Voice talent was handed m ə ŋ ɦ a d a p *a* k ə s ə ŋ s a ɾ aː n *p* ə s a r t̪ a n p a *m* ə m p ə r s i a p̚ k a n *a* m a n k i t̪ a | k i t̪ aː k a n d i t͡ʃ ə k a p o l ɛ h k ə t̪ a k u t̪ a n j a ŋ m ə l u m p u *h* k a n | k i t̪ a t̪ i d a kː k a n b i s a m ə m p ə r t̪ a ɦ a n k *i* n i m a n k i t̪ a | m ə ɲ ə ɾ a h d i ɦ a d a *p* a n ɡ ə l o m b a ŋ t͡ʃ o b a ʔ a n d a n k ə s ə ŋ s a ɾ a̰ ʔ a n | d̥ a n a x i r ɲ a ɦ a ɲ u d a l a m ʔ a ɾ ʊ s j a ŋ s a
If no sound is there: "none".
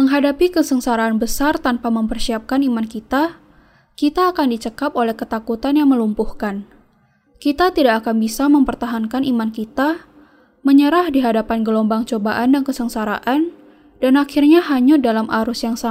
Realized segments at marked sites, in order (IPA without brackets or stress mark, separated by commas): i, b, m, i, h, a, p